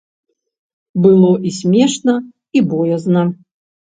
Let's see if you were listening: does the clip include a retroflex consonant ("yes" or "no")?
yes